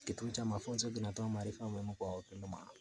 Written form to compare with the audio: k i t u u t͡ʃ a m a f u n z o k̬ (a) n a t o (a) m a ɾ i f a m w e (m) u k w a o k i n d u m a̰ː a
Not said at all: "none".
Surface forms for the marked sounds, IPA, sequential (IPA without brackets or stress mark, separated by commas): i, a, m